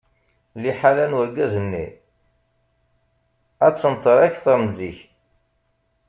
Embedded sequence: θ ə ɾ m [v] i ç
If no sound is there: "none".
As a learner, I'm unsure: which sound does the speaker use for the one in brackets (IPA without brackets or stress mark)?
z